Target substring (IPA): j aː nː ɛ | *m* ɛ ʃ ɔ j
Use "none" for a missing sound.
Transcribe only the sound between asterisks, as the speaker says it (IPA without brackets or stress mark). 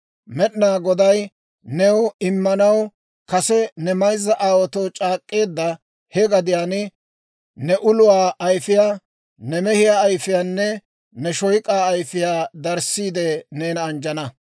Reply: n